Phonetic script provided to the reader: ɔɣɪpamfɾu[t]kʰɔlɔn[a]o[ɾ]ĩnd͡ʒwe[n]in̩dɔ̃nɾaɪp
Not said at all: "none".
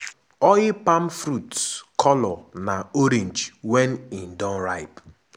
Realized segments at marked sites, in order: t, a, ɾ, n

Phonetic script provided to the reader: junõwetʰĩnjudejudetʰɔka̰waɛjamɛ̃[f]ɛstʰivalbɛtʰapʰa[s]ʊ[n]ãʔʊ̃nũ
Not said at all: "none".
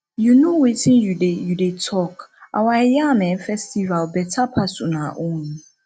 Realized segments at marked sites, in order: f, s, n

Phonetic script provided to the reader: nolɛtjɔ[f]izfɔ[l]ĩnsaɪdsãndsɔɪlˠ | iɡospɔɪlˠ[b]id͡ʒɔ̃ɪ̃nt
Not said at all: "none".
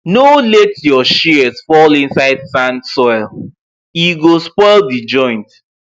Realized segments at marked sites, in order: ʃ, l, d

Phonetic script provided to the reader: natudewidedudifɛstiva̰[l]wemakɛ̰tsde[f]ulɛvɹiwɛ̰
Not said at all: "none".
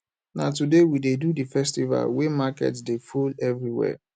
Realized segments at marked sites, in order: l, f

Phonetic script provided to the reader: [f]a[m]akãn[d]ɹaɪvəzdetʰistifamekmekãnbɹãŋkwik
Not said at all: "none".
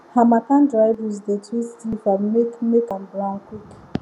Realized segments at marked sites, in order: h, m, d

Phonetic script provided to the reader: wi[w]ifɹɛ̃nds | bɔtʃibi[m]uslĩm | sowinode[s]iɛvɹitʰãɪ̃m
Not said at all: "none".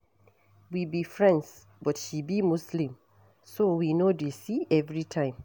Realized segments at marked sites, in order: b, m, s

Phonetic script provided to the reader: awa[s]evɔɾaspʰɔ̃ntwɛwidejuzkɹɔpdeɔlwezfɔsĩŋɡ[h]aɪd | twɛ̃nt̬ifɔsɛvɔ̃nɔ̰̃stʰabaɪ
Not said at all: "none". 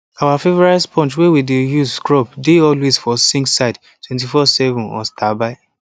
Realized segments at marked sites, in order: f, s

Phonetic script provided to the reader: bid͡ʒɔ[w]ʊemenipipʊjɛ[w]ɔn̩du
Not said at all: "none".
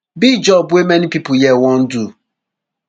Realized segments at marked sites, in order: b, w

